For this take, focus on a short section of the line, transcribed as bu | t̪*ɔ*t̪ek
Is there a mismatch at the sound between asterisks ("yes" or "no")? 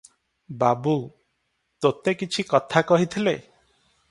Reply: yes